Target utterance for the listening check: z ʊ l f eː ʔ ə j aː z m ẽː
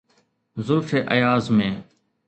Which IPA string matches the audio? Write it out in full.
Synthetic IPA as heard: z ʊ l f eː ʔ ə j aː z m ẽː